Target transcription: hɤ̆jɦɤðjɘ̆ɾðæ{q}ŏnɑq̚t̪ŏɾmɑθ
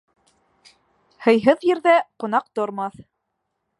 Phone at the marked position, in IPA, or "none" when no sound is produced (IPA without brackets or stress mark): q